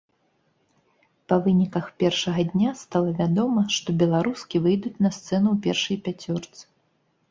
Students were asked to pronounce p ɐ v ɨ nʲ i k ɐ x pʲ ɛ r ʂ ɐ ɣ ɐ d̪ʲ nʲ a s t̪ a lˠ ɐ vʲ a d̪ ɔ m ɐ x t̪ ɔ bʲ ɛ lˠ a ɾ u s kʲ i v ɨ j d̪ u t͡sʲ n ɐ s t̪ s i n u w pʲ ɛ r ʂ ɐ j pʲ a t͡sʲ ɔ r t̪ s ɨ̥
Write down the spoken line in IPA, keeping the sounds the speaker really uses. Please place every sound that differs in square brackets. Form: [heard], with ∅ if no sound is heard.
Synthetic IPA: p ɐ v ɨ nʲ i k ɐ x pʲ ɛ r ʂ ɐ ɣ ɐ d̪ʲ nʲ a s t̪ a lˠ ɐ vʲ a d̪ ɔ m ɐ [ʂ] t̪ ɔ bʲ ɛ lˠ a ɾ u s kʲ i v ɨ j d̪ u t͡sʲ n ɐ s t̪ s [ɛ] n u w pʲ ɛ r ʂ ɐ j pʲ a t͡sʲ ɔ r t̪ s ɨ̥